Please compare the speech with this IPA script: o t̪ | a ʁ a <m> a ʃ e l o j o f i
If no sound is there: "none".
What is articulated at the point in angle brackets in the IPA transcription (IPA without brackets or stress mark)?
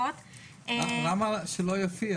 m